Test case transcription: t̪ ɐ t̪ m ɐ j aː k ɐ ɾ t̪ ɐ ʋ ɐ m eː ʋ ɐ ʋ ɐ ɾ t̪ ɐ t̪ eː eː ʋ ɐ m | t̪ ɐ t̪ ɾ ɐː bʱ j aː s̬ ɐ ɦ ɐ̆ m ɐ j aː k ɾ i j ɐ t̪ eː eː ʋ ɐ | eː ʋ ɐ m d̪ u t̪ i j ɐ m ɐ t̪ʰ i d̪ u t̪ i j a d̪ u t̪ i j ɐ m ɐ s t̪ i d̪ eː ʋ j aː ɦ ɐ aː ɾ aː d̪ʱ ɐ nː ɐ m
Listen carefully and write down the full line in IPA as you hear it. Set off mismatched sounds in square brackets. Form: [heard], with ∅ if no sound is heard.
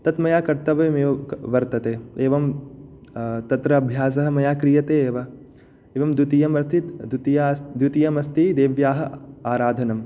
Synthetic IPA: t̪ ɐ t̪ m ɐ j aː k ɐ ɾ t̪ ɐ ʋ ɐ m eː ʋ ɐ ʋ ɐ ɾ t̪ ɐ t̪ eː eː ʋ ɐ m | t̪ ɐ t̪ ɾ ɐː bʱ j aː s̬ ɐ ɦ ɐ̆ m ɐ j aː k ɾ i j ɐ t̪ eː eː ʋ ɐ | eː ʋ ɐ m d̪ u t̪ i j ɐ m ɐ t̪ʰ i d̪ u t̪ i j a d̪ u t̪ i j ɐ m ɐ s t̪ i d̪ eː ʋ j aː ɦ ɐ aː ɾ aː d̪ʱ ɐ [n] ɐ m